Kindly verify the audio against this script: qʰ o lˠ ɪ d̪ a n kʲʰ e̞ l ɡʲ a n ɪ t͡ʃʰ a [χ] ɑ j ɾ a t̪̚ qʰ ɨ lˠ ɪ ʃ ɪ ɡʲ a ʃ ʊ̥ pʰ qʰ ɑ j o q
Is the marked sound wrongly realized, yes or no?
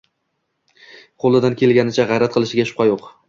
yes